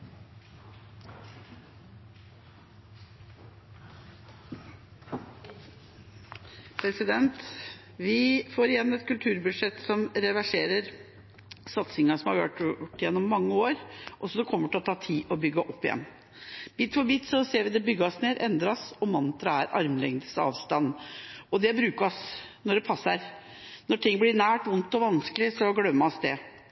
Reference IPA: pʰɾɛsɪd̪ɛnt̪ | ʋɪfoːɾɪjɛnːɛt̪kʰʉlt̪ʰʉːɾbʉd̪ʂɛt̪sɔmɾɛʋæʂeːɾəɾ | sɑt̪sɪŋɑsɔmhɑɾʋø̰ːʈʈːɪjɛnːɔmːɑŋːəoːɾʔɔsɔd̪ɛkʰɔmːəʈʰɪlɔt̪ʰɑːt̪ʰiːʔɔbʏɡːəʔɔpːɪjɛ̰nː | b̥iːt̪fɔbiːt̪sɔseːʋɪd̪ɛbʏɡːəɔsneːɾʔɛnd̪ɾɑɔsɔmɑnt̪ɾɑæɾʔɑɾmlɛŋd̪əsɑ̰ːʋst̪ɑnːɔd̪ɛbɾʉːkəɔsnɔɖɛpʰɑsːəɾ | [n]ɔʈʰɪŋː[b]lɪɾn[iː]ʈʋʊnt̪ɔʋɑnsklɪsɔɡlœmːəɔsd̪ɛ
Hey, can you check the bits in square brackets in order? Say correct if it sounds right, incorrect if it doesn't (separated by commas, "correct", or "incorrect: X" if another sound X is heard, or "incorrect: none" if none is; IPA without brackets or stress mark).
correct, correct, incorrect: æː